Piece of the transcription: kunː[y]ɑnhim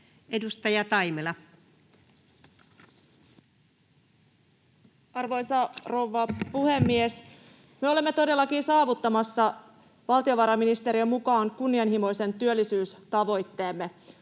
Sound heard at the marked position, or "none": i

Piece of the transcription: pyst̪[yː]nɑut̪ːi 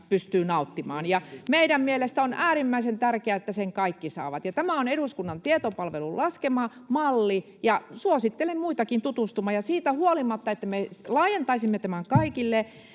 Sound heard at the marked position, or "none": yː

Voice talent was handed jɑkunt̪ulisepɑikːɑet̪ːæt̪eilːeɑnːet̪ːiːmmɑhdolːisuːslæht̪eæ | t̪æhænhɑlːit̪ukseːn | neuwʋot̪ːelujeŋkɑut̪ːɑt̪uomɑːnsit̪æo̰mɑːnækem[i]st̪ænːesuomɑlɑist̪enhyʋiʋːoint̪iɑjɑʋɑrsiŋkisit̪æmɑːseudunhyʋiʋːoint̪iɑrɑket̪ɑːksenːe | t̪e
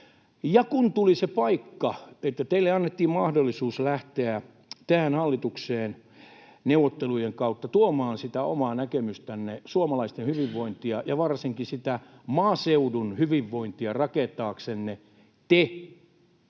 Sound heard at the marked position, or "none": y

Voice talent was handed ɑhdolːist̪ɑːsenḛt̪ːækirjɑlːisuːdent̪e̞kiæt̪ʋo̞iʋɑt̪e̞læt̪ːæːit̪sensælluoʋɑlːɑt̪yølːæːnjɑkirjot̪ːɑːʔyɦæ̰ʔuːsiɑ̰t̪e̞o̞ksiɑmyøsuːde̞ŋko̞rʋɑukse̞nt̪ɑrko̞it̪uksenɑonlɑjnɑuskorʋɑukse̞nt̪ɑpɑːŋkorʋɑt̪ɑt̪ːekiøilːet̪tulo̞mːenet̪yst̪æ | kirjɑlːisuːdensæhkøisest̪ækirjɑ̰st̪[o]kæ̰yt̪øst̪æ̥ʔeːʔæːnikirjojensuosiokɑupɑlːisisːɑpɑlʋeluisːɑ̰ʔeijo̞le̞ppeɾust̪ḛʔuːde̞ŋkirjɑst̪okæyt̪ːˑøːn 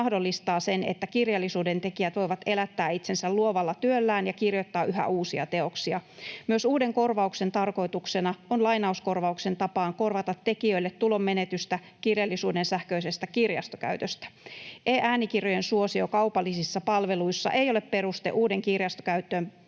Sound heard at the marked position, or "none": o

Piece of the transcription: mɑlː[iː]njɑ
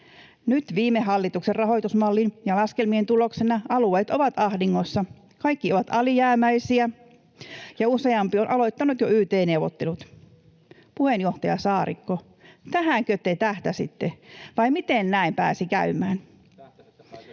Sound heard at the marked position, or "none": i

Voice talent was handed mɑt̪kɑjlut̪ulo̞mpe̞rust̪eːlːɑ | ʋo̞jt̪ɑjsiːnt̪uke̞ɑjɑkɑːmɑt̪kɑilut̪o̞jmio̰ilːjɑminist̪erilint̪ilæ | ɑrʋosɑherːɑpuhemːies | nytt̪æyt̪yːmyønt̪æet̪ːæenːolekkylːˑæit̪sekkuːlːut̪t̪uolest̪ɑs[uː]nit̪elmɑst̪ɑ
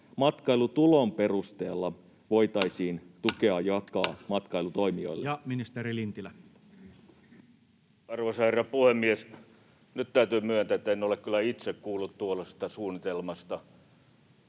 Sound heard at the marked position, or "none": uː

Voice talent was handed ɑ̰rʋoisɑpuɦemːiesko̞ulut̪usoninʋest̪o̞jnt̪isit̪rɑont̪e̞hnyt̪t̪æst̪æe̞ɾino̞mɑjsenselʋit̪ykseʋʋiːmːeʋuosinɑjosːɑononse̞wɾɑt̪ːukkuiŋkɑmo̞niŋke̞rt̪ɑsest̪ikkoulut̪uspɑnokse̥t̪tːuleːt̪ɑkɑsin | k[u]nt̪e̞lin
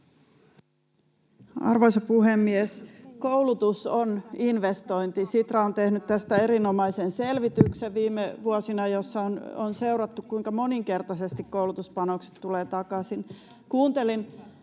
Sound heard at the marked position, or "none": uː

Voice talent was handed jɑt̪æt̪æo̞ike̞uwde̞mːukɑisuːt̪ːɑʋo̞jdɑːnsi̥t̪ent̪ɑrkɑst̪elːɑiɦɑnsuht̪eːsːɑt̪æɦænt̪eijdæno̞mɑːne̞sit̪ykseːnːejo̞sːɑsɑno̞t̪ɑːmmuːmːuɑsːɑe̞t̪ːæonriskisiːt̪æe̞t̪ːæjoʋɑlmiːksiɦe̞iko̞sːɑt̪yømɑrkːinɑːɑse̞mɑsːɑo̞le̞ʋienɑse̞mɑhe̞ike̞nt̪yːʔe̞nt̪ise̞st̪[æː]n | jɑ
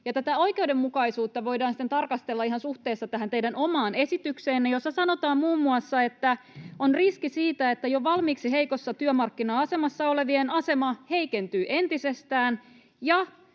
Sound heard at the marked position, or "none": æː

